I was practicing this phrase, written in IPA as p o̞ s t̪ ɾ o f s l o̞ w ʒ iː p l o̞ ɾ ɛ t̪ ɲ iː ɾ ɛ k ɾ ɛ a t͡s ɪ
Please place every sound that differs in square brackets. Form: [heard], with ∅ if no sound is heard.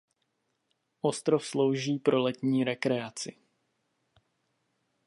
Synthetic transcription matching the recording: [ʔ] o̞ s t̪ ɾ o f s l o̞ w ʒ iː p [ɾ] o̞ [l] ɛ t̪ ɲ iː ɾ ɛ k ɾ ɛ a t͡s ɪ